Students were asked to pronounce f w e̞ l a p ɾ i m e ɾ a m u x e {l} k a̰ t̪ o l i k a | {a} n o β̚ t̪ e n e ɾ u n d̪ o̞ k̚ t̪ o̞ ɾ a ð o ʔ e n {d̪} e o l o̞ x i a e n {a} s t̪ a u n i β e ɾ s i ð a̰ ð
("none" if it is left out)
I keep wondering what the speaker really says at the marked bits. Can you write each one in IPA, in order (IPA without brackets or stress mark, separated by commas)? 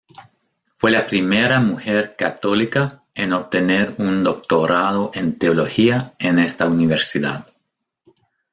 ɾ, e, t̪, e